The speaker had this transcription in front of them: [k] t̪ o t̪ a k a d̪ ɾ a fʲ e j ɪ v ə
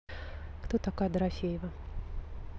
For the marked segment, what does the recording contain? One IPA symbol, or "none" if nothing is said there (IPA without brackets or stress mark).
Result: k